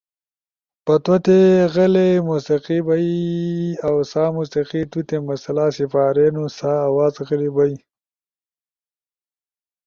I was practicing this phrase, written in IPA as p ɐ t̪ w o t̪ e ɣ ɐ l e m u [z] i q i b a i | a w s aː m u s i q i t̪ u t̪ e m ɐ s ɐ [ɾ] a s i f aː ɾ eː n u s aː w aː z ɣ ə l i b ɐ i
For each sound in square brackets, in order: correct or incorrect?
incorrect, incorrect

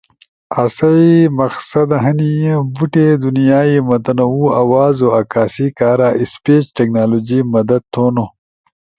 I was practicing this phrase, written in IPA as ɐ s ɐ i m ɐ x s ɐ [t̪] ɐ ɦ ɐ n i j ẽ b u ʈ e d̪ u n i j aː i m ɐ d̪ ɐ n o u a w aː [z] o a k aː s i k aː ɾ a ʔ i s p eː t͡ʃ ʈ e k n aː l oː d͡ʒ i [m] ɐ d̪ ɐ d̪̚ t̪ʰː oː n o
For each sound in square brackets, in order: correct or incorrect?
incorrect, correct, correct

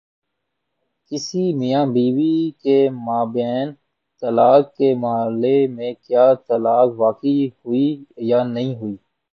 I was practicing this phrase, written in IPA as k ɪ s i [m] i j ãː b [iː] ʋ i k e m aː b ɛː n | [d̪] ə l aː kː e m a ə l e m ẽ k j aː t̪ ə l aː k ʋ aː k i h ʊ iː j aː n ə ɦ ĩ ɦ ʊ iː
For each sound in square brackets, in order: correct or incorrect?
correct, correct, incorrect

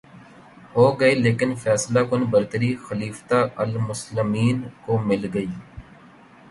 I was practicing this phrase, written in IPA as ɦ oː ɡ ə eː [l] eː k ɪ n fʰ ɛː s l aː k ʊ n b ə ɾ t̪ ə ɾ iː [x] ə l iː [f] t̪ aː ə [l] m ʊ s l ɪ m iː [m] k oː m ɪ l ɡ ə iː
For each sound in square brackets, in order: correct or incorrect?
correct, correct, correct, correct, incorrect

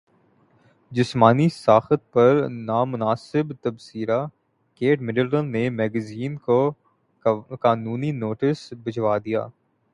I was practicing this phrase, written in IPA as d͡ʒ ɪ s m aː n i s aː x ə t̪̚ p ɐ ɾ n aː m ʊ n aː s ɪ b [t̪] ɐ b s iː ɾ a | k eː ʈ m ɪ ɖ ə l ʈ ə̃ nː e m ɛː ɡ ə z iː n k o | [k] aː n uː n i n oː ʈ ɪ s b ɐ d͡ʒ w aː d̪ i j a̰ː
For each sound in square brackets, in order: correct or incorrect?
correct, correct

